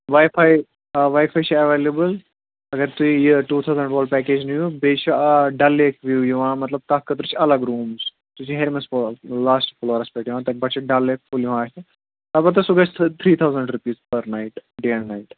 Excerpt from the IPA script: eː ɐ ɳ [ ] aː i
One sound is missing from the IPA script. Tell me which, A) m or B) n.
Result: B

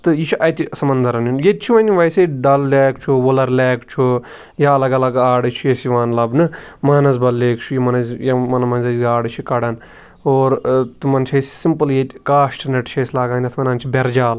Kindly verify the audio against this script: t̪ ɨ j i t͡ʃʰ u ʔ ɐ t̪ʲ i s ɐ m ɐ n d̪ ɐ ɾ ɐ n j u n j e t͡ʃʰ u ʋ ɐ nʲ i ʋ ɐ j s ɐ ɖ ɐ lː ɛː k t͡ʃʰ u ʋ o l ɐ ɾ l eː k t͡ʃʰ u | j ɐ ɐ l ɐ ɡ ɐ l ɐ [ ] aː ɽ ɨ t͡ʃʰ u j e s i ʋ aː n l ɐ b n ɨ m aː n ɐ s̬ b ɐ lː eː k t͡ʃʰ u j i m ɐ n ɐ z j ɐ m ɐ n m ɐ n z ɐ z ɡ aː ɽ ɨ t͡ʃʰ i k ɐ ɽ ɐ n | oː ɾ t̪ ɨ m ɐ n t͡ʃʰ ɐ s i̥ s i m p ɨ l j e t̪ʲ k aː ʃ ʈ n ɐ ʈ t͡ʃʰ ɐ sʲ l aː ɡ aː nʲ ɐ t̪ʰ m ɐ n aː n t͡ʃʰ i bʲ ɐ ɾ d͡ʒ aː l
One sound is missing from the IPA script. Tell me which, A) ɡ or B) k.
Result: A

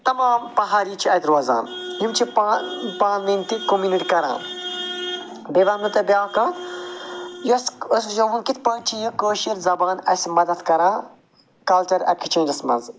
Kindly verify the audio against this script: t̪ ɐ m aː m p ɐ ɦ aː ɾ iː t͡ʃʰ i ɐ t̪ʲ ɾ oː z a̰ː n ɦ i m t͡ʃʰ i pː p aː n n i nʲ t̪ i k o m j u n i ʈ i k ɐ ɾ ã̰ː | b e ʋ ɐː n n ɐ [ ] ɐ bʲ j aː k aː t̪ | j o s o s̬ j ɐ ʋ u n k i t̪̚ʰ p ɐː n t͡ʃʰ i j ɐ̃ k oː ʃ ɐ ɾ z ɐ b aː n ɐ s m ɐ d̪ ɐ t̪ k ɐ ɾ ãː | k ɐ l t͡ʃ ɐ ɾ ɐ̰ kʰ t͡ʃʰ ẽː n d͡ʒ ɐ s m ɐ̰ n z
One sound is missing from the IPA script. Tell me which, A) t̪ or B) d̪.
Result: A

